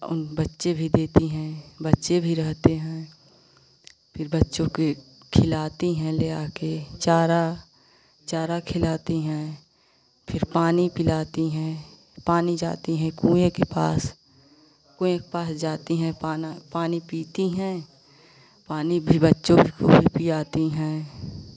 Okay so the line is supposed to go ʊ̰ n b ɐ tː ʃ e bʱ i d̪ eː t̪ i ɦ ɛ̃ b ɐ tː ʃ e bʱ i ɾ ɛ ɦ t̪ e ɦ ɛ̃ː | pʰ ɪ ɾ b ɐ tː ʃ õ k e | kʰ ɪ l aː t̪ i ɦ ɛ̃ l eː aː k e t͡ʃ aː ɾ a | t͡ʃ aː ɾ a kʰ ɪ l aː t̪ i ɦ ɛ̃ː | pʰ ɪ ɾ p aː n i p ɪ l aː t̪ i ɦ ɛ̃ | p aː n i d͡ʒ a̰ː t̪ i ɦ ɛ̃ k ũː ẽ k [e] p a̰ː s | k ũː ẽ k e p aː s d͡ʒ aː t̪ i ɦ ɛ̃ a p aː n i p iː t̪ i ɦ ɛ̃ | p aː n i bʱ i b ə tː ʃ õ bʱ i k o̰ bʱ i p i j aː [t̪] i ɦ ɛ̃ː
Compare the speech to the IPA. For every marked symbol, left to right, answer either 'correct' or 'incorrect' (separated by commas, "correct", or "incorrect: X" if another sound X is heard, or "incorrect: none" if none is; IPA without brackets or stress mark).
correct, correct